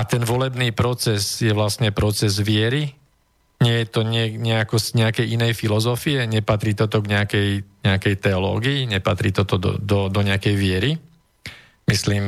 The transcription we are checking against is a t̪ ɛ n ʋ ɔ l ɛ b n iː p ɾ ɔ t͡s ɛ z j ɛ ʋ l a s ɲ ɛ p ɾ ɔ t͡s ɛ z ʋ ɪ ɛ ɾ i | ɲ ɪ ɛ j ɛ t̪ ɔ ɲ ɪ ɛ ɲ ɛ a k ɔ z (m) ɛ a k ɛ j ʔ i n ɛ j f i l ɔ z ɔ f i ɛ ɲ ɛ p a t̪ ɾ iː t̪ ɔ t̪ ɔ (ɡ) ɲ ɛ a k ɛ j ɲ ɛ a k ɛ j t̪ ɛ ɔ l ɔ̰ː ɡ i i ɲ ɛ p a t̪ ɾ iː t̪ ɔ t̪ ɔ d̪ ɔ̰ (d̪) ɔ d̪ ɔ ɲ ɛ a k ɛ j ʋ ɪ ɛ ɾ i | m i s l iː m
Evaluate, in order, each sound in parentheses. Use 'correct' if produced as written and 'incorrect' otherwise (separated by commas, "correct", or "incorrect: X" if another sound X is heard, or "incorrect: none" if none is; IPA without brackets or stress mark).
incorrect: ɲ, correct, correct